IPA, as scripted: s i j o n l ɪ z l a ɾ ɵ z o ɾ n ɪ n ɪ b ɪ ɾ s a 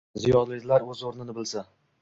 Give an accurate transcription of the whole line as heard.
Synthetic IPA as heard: z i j ɒ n l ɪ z l a ɾ ɵ z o ɾ n ɪ n ɪ b ɪ l s a